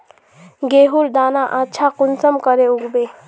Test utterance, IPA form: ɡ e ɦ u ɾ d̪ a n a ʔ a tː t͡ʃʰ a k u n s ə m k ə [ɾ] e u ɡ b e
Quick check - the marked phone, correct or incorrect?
correct